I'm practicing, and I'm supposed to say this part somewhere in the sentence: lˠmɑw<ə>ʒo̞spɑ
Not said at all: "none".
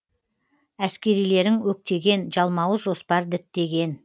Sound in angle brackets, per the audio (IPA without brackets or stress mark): ə